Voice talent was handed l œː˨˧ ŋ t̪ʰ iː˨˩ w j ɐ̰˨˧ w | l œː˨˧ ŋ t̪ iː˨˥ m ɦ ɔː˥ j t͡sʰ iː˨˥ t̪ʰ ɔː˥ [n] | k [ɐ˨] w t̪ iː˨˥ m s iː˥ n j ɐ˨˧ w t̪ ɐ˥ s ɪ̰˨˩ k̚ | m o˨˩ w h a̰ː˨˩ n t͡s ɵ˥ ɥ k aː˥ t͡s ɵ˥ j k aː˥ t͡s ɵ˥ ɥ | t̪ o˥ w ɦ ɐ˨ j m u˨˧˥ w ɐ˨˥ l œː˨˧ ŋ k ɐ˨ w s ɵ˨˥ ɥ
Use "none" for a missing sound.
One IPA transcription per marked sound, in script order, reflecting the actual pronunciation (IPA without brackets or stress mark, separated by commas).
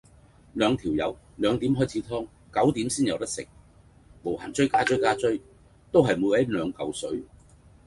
ŋ, ɐ˨˥